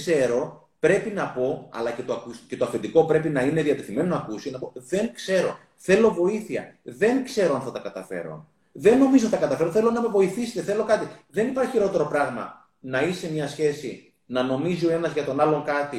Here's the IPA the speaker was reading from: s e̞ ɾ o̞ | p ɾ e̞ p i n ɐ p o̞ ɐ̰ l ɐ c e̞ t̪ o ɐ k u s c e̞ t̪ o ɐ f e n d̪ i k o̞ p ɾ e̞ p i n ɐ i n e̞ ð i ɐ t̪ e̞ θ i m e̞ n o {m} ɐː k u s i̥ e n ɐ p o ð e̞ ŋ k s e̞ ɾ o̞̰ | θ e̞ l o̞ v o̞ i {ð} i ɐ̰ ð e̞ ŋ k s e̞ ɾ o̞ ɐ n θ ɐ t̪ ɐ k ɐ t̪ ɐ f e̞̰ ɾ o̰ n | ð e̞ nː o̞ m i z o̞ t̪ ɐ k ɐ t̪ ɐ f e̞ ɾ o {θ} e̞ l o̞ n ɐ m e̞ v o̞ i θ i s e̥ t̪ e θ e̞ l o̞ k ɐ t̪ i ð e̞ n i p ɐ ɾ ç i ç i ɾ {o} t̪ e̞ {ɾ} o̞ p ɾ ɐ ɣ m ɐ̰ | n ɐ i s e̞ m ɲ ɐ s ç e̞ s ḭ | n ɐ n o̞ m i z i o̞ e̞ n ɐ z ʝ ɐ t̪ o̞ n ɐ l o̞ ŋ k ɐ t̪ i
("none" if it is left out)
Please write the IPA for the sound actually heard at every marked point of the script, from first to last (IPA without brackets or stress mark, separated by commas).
n, θ, θ, o, ɾ